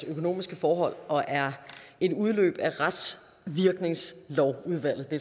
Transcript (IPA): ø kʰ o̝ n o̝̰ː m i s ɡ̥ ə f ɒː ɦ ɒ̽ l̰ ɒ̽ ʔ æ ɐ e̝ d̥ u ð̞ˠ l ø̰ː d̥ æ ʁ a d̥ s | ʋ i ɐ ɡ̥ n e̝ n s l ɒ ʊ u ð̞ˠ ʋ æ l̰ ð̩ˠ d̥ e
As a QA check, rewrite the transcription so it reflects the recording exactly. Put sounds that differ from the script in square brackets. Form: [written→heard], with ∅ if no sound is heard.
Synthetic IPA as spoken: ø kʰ o̝ n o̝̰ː m i s ɡ̥ ə f ɒː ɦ ɒ̽ l̰ ɒ̽ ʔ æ ɐ e̝ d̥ u ð̞ˠ l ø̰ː [d̥→b̥] æ ʁ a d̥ s | ʋ i ɐ ɡ̥ n e̝ [n→ŋ] s l ɒ ʊ u ð̞ˠ ʋ æ l̰ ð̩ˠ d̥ e